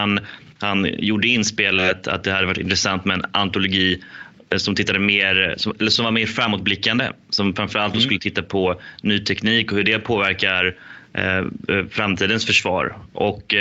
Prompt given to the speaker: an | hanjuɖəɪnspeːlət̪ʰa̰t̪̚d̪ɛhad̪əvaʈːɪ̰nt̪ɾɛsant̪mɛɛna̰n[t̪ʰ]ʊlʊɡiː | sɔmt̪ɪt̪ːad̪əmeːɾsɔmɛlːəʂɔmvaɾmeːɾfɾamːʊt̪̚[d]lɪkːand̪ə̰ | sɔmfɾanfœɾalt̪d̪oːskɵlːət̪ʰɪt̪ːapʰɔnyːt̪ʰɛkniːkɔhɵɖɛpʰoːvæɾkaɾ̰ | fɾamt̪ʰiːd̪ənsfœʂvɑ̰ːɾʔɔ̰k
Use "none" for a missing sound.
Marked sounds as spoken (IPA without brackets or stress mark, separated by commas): t̪, b